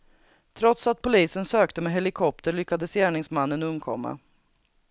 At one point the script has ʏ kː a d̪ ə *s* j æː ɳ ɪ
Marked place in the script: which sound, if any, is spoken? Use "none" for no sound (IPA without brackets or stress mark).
s